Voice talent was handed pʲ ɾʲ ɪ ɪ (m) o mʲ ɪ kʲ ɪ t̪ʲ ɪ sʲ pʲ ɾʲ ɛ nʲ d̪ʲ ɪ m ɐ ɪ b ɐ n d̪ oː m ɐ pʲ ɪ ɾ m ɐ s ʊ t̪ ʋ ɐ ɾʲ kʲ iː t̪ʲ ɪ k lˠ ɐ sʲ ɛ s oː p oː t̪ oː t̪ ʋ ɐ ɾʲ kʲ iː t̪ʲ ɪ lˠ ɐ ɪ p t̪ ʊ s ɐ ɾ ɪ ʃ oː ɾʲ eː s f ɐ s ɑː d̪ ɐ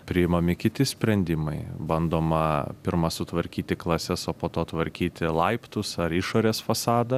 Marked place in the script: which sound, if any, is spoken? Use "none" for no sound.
m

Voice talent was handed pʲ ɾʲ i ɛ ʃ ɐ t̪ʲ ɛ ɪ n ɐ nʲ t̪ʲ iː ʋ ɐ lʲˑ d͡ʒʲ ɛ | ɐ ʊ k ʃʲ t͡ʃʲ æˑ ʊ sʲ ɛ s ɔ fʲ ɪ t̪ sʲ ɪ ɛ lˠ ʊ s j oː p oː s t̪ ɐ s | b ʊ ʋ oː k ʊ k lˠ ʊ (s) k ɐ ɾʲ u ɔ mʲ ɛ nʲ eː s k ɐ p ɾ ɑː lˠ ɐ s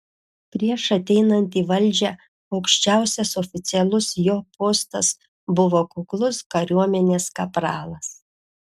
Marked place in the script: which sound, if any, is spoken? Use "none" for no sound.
s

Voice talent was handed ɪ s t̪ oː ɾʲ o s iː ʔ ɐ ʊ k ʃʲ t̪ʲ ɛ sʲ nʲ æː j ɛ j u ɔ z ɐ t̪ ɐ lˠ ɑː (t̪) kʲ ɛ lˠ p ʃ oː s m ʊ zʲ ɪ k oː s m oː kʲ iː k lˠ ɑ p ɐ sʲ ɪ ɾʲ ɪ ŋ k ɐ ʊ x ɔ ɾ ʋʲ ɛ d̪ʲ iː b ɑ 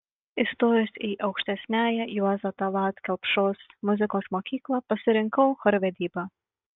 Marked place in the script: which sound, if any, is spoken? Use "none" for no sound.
t̪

